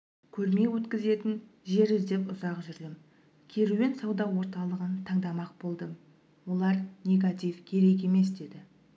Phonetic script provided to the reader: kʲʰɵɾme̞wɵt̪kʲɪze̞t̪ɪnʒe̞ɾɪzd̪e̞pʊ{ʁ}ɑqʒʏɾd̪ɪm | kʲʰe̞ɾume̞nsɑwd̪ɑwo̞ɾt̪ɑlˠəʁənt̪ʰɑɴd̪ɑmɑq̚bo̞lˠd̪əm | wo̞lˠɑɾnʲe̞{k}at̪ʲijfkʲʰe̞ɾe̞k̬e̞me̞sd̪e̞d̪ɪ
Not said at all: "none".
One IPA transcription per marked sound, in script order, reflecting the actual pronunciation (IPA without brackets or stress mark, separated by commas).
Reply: z, ɡ